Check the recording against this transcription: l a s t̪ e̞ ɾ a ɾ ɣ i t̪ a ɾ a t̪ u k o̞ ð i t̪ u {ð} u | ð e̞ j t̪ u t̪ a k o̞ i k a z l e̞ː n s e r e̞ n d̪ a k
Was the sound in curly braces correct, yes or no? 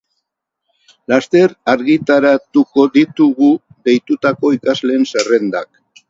no